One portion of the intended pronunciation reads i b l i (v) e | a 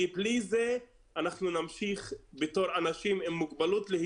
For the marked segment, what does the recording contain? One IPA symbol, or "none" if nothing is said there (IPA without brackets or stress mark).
z